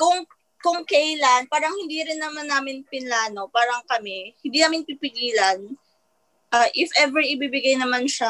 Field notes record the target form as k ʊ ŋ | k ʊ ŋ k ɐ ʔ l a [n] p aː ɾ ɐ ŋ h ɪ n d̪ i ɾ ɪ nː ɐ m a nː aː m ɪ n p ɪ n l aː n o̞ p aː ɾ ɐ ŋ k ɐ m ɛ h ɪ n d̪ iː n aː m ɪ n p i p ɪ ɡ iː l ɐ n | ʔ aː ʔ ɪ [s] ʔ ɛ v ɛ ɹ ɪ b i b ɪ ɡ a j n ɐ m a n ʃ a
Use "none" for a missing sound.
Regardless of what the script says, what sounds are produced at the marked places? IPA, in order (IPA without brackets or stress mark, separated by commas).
n, f